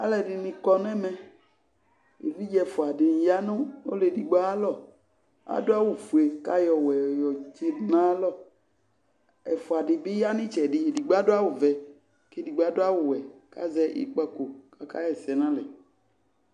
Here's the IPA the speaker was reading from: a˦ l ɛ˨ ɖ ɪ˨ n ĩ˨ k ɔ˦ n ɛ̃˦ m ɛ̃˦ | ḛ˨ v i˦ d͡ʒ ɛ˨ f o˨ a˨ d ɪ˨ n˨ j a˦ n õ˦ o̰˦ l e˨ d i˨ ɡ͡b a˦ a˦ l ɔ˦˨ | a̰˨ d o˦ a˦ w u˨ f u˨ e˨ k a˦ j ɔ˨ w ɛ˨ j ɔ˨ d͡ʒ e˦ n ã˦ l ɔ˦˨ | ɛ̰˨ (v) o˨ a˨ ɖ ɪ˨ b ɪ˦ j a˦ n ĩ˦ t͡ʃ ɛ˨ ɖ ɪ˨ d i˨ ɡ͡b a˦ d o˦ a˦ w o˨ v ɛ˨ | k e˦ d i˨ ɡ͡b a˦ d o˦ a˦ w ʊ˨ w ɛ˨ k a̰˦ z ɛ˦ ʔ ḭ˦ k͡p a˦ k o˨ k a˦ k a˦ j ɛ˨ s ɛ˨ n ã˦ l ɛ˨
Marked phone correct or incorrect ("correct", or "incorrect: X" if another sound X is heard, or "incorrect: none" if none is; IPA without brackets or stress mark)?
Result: incorrect: f